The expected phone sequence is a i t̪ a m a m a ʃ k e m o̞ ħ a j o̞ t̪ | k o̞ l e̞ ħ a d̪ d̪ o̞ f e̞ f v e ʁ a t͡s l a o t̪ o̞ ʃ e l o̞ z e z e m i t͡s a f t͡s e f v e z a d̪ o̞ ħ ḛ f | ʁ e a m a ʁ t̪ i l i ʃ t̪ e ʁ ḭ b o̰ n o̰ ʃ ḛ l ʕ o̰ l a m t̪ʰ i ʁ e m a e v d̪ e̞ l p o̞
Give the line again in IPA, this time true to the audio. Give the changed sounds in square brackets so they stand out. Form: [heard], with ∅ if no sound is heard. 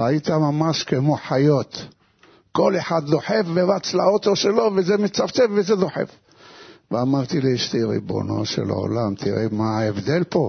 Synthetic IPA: a i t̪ a m a m a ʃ k e m o̞ ħ a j o̞ t̪ | k o̞ l e̞ ħ a d̪ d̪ o̞ [ħ] e̞ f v e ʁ a t͡s l a o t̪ o̞ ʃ e l o̞ [v] e z e m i t͡s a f t͡s e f v e z [e] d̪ o̞ ħ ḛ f | [v] e a m a ʁ t̪ i l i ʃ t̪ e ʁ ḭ b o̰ n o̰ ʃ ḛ l ʕ o̰ l a m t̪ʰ i ʁ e m a e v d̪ e̞ l p o̞